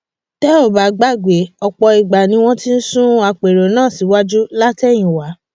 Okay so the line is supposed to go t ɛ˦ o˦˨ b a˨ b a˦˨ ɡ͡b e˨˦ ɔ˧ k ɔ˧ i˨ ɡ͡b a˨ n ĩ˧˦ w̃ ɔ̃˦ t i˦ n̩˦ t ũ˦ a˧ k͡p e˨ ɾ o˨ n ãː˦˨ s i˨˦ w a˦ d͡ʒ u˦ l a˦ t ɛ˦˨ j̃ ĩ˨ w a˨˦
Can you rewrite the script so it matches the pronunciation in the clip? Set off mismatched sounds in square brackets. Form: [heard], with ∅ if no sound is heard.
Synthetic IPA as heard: t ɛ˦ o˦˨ b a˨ [ɡ͡b] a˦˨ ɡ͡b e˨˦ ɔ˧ [k͡p] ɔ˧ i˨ ɡ͡b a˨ n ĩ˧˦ w̃ ɔ̃˦ t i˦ n̩˦ [s] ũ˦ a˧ k͡p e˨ ɾ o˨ n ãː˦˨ s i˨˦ w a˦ d͡ʒ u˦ l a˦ t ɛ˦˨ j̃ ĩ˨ w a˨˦